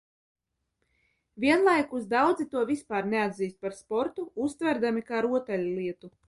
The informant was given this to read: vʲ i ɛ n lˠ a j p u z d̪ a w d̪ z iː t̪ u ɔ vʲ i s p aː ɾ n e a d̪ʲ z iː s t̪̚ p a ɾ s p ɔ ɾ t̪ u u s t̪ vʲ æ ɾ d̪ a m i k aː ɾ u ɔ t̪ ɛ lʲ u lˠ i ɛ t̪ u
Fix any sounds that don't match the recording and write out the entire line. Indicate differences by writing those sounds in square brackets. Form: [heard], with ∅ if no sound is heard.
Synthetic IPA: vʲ i ɛ n lˠ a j [k] u z d̪ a w d̪ z [i] t̪ u ɔ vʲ i s p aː ɾ n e a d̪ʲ z iː s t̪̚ p a ɾ s p ɔ ɾ t̪ u u s t̪ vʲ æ ɾ d̪ a m i k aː ɾ u ɔ t̪ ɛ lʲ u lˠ i ɛ t̪ u